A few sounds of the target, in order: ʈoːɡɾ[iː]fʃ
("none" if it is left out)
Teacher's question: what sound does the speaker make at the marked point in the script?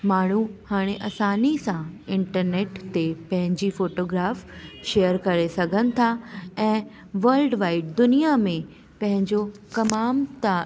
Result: aː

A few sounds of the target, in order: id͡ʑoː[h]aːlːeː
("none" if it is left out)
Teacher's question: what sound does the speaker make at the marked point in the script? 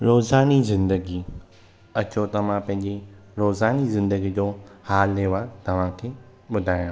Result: h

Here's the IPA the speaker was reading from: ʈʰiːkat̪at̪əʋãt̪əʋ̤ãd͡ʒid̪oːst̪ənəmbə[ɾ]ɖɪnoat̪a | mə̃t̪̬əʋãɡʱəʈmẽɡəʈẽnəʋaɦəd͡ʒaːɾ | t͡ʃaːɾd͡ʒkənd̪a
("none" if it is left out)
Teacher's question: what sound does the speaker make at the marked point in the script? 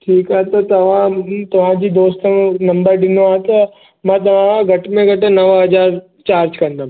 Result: ɾ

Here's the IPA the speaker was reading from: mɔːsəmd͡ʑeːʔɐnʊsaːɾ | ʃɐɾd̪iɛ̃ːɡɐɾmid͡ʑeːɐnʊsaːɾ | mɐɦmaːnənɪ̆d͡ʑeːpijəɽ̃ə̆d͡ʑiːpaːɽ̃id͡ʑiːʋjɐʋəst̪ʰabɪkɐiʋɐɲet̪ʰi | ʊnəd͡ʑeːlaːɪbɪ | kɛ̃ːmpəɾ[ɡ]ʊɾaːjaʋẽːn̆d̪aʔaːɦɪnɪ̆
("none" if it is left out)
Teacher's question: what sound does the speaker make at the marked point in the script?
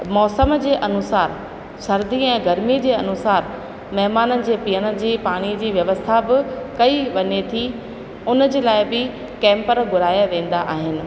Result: ɡ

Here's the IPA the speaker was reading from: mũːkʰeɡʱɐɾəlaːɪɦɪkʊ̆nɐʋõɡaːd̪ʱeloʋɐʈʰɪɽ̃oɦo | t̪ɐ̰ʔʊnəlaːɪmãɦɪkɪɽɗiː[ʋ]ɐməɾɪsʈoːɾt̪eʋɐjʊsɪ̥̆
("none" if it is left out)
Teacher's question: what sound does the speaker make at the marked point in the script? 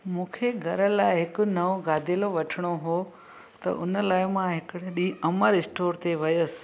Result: none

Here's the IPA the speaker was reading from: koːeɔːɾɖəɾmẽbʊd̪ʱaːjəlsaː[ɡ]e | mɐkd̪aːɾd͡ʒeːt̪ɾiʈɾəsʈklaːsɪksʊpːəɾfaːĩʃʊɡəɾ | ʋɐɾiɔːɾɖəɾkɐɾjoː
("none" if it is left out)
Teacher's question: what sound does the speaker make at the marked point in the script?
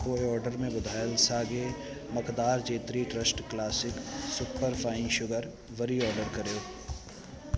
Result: ɡ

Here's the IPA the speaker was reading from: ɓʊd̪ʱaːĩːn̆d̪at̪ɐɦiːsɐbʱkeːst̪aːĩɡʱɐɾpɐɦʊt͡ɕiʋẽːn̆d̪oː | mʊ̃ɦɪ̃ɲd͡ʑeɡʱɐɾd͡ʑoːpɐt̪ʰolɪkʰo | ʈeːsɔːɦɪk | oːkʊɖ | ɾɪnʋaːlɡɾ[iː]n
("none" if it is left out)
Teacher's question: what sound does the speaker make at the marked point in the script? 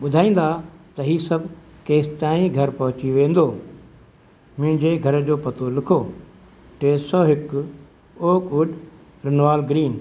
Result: iː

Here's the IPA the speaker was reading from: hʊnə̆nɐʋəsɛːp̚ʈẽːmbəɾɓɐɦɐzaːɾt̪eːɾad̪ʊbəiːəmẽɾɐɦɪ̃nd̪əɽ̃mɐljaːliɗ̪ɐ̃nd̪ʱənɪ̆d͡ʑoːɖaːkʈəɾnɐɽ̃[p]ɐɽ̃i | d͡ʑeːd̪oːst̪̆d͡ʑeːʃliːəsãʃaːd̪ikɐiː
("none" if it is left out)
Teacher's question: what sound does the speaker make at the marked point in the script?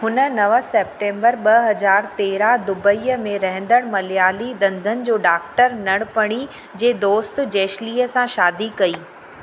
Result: p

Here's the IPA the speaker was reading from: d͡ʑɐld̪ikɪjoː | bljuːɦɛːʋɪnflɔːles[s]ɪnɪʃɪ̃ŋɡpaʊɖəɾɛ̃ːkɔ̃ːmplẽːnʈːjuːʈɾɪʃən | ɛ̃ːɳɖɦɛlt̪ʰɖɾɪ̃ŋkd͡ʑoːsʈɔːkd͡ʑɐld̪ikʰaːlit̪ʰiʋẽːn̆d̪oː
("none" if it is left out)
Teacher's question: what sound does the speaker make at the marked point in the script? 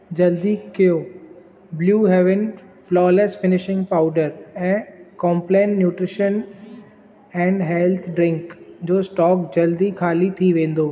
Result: f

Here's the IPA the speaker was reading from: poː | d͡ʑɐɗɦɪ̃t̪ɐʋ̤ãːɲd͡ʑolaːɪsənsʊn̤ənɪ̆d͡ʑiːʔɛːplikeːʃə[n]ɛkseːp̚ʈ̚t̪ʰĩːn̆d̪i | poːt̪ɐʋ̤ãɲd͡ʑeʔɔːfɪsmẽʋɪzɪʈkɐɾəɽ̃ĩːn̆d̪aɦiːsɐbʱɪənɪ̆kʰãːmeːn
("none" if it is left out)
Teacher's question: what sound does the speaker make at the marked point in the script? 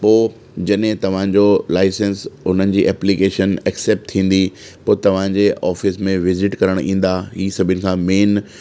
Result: n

